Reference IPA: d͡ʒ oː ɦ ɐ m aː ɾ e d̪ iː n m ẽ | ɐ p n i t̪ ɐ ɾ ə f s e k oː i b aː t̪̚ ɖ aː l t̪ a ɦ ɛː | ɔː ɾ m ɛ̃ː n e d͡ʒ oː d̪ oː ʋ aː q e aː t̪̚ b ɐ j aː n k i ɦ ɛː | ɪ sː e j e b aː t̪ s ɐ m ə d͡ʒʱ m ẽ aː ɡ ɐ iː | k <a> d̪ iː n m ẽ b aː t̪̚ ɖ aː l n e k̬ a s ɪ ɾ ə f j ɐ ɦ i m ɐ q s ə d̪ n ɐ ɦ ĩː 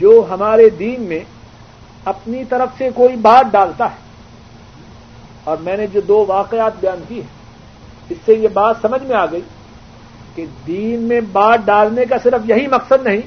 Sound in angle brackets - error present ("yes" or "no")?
yes